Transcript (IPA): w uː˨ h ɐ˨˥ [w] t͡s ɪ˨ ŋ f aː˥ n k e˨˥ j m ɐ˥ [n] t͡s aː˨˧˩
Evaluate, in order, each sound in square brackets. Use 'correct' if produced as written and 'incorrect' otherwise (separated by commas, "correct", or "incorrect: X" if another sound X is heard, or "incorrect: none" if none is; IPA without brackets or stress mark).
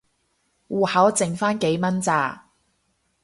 correct, correct